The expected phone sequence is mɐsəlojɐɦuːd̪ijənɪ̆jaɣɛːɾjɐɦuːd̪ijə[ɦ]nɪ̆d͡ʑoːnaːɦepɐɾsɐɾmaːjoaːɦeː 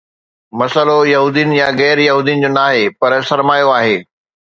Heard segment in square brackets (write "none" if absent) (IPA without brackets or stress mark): none